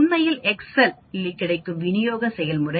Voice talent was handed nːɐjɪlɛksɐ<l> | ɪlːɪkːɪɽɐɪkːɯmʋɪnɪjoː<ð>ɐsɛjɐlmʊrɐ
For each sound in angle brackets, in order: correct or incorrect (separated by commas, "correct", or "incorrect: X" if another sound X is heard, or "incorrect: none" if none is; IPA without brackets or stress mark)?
correct, incorrect: ɣ